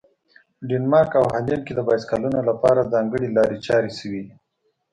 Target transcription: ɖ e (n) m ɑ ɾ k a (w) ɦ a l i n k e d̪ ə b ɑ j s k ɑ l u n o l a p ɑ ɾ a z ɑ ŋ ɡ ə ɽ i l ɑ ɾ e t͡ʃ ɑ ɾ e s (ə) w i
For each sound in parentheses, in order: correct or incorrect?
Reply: correct, correct, correct

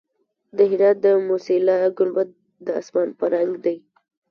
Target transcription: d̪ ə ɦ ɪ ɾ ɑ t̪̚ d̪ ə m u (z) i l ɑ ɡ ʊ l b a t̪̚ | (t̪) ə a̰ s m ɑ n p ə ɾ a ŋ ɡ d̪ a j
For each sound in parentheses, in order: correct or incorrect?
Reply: incorrect, incorrect

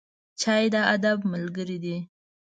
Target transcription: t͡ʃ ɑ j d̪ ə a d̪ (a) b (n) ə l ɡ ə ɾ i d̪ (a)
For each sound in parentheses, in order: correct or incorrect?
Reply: correct, incorrect, incorrect

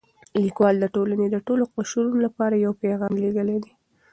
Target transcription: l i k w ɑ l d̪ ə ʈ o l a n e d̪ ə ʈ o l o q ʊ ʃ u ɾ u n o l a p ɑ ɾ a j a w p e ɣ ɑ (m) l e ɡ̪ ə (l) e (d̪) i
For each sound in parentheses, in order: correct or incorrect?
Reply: correct, correct, correct

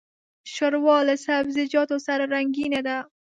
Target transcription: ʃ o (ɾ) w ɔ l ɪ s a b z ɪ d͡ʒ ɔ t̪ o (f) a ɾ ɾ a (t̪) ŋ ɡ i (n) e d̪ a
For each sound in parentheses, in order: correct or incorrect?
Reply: correct, incorrect, incorrect, correct

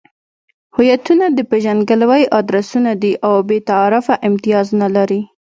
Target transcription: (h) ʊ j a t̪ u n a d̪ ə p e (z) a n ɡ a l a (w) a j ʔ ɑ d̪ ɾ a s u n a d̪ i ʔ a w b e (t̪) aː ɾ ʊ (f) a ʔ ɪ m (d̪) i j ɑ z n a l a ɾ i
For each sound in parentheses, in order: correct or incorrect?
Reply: correct, incorrect, correct, correct, correct, incorrect

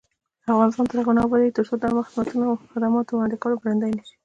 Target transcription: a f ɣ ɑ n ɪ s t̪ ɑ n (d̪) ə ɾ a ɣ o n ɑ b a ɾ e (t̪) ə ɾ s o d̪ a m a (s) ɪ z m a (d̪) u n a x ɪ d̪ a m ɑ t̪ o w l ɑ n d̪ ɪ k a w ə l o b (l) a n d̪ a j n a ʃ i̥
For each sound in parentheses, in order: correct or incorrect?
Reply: incorrect, correct, incorrect, incorrect, incorrect

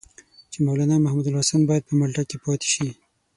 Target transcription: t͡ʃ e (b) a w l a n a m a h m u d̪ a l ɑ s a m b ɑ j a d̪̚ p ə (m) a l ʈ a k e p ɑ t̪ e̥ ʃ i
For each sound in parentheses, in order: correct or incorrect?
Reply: incorrect, correct

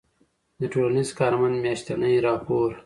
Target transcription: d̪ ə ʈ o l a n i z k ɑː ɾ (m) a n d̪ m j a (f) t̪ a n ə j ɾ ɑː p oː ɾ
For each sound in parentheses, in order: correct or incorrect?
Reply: correct, incorrect

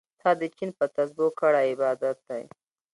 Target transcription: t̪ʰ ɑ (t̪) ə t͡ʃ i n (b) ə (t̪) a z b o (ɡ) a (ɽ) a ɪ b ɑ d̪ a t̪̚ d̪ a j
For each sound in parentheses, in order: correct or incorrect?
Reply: incorrect, incorrect, correct, incorrect, correct

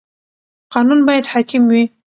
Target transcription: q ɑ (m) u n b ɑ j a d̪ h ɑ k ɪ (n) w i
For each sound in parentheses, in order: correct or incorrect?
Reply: incorrect, incorrect

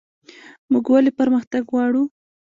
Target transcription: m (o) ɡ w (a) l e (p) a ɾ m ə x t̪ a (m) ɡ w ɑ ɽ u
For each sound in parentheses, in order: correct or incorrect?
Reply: incorrect, correct, correct, incorrect

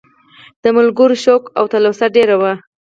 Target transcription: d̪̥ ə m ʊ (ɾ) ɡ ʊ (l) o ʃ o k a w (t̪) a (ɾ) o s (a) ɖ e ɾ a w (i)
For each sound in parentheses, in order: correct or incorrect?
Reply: incorrect, incorrect, correct, incorrect, correct, incorrect

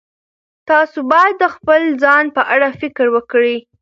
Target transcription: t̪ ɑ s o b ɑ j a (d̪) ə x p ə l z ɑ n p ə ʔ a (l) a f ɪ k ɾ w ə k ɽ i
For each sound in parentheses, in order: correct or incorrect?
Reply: incorrect, incorrect

